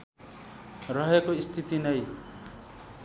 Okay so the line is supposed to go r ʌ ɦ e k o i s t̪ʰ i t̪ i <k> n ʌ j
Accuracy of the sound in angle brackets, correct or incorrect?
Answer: incorrect